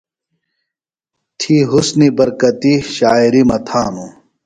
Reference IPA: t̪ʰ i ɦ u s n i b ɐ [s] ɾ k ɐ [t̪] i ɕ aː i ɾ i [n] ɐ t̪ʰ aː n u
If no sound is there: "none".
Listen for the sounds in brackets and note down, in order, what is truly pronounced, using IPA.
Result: none, t̪, m

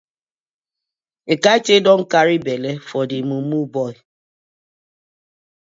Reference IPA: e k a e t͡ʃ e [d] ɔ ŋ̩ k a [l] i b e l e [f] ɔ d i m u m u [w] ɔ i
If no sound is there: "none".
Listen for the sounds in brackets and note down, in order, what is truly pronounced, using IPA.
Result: d, ɾ, f, b

